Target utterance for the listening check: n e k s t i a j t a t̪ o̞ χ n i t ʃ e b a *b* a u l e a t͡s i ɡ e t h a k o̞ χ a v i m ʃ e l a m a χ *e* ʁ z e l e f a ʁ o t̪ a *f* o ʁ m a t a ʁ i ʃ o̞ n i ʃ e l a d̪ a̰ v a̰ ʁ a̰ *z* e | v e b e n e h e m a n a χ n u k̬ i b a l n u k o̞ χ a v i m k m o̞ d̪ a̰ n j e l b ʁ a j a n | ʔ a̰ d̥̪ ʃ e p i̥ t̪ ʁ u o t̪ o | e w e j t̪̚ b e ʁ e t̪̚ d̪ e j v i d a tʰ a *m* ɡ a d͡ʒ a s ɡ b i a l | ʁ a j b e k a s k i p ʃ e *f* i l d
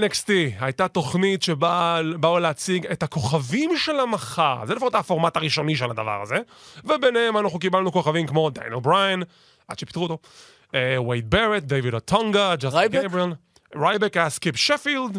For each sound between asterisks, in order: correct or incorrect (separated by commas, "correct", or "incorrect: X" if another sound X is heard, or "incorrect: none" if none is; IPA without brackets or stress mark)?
correct, incorrect: a, correct, correct, incorrect: ŋ, correct